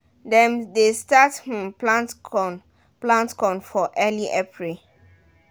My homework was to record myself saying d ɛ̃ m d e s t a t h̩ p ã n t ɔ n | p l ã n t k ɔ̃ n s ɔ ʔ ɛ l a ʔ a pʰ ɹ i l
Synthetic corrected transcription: d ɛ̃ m d e s t a t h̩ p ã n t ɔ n | p l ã n t k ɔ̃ n f ɔ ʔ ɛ l i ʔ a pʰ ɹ i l